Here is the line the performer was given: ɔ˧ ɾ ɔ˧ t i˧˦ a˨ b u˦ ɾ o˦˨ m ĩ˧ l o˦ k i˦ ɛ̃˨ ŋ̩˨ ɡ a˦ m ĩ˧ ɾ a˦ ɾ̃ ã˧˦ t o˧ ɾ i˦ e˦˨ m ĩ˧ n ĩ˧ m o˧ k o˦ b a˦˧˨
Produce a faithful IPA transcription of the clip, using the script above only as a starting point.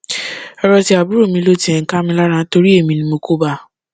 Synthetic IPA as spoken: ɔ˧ ɾ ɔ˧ t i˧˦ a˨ b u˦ ɾ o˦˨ m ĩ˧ l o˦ t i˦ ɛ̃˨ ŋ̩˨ k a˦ m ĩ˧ l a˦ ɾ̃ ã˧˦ t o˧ ɾ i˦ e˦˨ m ĩ˧ n ĩ˧ m o˧ k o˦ b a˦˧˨